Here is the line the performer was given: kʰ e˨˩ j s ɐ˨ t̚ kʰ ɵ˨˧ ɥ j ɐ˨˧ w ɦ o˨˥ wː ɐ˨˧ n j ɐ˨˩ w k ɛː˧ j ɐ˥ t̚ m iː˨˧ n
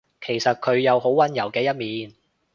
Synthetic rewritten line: kʰ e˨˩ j s ɐ˨ t̚ kʰ ɵ˨˧ ɥ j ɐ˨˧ w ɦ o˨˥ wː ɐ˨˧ n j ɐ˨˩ w k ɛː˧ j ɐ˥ t̚ m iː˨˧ n